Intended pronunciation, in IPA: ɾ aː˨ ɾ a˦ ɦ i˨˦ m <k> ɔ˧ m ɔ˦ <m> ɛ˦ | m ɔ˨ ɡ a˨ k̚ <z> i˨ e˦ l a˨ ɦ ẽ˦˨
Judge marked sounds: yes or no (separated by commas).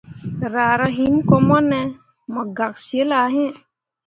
yes, no, no